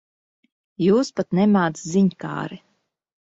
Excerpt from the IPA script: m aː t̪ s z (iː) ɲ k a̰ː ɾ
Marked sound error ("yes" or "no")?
yes